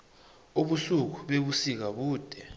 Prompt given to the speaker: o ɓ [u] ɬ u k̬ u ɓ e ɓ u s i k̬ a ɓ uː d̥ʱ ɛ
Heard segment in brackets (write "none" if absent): u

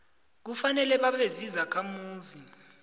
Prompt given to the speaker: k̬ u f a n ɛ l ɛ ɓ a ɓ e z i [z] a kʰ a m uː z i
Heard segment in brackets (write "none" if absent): z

